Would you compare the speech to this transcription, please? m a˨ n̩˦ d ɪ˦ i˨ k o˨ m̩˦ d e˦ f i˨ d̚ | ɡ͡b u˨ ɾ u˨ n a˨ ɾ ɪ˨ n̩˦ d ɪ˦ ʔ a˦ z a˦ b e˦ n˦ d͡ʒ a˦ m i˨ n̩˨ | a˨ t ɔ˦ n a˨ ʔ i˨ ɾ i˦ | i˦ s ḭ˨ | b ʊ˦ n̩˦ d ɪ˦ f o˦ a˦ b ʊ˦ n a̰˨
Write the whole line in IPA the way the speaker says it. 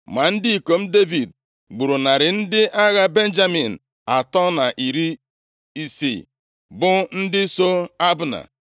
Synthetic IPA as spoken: m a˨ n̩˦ d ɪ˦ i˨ k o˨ m̩˦ d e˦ v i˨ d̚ | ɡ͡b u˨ ɾ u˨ n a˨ ɾ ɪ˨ n̩˦ d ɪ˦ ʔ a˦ ɣ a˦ b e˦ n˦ d͡ʒ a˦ m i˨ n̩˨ | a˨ t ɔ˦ n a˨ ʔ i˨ ɾ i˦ | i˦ s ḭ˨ | b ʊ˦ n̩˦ d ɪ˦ s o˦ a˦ b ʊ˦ n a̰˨